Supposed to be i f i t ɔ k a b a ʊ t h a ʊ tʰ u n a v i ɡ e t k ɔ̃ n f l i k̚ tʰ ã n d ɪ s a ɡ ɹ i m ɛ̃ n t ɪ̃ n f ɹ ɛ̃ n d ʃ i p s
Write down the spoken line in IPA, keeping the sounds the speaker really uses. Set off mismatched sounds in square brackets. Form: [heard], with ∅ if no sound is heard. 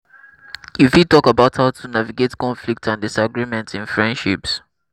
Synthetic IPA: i f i t ɔ k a b a ʊ t h a ʊ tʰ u n a v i ɡ e t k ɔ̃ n f l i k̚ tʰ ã n d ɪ s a ɡ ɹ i m ɛ̃ n t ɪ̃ n f ɹ ɛ̃ n d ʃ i p s